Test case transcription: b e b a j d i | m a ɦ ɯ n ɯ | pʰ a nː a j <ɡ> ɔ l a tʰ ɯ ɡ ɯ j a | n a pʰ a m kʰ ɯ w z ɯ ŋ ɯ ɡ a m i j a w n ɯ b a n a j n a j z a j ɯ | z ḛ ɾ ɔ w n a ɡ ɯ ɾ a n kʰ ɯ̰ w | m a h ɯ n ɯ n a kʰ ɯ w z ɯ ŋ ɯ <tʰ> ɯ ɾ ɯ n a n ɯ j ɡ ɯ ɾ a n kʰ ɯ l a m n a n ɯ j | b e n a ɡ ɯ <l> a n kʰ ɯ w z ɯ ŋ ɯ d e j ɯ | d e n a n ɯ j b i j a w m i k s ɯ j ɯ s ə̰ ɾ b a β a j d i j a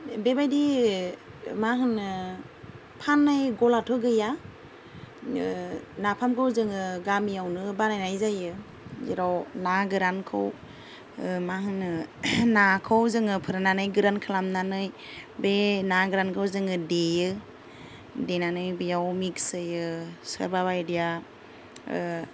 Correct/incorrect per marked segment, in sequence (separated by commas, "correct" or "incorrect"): correct, incorrect, incorrect